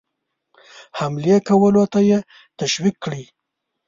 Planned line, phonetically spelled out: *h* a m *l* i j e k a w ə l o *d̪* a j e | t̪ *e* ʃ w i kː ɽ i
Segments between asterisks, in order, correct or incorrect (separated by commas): correct, correct, incorrect, incorrect